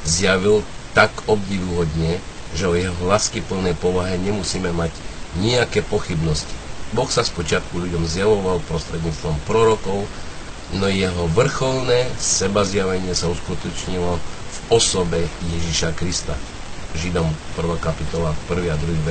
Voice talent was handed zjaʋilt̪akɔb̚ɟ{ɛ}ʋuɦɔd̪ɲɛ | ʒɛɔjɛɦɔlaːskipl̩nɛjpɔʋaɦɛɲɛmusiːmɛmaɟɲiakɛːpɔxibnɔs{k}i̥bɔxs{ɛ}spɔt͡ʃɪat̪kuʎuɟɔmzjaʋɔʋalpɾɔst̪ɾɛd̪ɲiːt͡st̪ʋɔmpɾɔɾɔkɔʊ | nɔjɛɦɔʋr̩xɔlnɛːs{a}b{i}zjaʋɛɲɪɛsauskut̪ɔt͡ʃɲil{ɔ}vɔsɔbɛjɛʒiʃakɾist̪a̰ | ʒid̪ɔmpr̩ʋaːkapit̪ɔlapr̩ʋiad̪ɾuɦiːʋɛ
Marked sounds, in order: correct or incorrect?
incorrect, incorrect, incorrect, incorrect, incorrect, correct

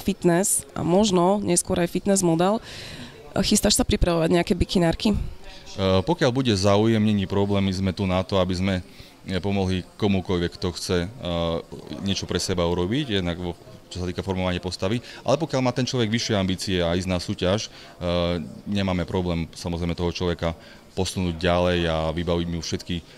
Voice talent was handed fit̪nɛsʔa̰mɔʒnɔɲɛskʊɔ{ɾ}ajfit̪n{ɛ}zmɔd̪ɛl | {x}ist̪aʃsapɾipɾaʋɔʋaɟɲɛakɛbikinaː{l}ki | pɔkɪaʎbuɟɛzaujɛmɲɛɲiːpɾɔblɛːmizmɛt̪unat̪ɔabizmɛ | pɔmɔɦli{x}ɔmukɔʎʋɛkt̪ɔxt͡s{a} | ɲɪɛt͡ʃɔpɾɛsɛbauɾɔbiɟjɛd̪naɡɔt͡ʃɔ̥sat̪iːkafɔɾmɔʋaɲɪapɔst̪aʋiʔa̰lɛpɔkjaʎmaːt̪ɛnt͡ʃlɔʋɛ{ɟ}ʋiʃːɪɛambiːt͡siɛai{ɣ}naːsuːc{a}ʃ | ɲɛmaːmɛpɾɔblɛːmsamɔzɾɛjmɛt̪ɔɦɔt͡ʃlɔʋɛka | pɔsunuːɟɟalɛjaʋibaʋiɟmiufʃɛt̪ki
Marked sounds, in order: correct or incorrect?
correct, correct, correct, incorrect, incorrect, incorrect, incorrect, incorrect, correct

